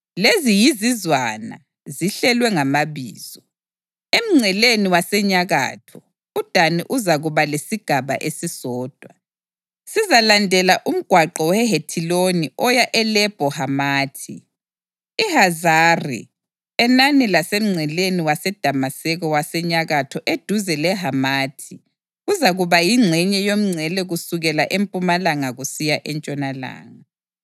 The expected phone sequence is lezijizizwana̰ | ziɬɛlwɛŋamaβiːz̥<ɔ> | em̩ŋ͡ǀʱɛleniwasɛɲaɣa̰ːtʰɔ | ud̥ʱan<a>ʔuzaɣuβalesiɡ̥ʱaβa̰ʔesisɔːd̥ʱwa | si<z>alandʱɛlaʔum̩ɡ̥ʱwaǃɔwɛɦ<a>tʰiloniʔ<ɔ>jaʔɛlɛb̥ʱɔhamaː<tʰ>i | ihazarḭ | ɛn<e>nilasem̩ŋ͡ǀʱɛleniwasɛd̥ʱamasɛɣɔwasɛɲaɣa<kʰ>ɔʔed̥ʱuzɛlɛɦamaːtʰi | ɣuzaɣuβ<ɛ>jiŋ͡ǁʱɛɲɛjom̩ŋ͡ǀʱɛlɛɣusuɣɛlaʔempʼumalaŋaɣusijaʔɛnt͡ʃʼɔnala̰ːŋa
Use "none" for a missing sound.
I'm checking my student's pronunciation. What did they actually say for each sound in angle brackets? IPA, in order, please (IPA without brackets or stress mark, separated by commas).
ɔ, i, z, e, ɔ, tʰ, a, tʰ, a